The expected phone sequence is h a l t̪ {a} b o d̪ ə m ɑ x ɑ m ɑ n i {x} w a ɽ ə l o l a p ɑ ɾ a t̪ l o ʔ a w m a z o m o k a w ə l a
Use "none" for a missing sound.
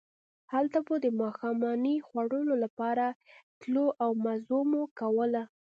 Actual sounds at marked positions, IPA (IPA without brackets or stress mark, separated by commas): a, x